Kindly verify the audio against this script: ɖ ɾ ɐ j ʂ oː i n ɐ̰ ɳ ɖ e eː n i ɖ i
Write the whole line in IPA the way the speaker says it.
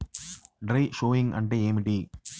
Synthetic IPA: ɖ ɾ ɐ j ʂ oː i ŋ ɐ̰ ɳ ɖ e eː m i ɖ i